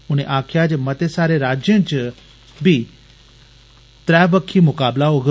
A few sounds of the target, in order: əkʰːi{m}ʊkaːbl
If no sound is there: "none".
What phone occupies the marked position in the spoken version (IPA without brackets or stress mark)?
m